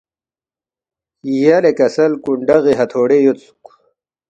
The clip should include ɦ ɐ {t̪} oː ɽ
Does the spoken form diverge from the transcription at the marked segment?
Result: yes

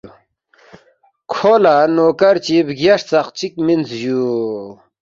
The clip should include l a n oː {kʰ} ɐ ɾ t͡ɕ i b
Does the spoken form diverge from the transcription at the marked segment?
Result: yes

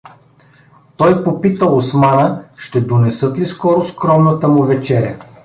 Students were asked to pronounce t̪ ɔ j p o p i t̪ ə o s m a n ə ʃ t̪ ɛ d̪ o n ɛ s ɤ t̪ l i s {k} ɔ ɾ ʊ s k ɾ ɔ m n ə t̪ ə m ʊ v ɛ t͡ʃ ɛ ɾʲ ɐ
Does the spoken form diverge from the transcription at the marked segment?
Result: no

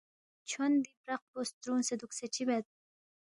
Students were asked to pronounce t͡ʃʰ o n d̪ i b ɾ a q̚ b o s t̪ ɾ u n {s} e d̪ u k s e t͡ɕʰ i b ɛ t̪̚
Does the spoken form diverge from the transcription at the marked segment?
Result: no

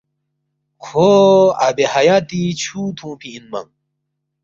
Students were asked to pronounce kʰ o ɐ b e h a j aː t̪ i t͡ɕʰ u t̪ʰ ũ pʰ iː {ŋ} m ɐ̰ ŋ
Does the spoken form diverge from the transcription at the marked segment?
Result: yes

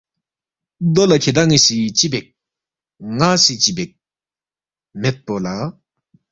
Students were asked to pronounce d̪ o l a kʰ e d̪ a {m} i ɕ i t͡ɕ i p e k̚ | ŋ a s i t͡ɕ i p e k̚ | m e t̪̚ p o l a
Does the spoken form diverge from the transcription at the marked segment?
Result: yes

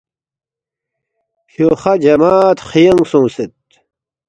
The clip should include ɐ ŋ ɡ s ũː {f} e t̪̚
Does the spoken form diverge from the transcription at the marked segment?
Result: yes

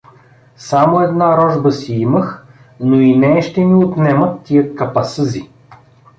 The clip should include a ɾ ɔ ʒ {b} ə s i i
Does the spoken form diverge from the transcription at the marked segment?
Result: no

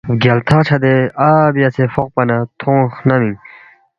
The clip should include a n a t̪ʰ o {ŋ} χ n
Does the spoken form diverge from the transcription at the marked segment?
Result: no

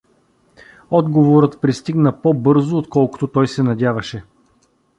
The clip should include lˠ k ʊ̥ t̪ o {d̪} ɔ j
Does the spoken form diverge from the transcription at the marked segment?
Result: yes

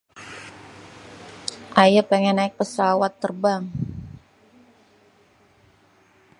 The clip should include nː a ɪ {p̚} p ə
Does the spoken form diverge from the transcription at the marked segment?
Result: yes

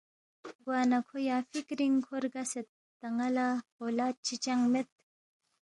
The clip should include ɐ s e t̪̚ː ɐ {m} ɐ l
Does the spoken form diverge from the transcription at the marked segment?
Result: yes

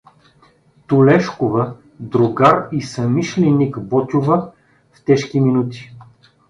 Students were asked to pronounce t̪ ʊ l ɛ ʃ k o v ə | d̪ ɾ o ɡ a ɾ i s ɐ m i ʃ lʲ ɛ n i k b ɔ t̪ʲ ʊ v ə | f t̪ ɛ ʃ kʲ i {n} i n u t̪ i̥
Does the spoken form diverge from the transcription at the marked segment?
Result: yes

